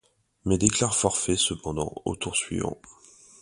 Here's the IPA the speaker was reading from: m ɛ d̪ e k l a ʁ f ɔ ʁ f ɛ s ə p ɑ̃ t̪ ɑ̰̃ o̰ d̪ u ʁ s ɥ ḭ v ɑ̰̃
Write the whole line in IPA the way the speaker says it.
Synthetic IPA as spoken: m ɛ d̪ e k l a ʁ f ɔ ʁ f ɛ s ə p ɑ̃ d̪ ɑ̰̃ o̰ t̪ u ʁ s ɥ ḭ v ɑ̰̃